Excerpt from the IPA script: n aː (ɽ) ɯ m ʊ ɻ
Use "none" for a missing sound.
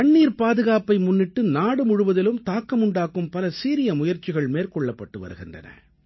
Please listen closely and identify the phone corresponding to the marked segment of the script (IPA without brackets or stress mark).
ɽ